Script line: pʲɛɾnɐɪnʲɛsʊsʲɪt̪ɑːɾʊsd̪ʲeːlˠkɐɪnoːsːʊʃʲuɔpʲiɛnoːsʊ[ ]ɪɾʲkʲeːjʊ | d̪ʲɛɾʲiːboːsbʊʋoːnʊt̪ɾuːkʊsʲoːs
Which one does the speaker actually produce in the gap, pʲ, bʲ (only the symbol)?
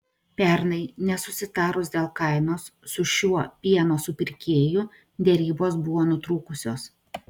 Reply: pʲ